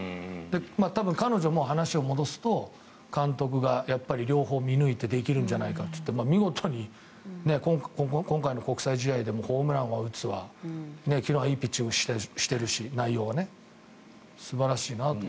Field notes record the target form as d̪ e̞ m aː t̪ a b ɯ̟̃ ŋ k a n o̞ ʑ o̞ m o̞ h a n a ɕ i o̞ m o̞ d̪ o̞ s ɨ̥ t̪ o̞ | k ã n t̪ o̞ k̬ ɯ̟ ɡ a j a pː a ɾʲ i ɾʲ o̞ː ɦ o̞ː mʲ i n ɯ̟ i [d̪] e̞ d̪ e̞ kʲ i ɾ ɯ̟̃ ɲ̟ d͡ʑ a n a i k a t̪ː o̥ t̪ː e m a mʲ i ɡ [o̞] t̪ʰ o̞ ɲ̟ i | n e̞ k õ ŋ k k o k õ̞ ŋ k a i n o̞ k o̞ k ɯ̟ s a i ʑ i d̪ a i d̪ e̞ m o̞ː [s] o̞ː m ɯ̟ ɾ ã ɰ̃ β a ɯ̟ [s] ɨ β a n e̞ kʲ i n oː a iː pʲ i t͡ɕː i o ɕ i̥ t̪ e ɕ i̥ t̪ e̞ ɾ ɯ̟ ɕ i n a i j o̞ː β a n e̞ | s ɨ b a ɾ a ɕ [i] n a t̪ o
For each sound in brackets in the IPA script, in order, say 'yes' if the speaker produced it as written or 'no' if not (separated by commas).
no, yes, no, no, no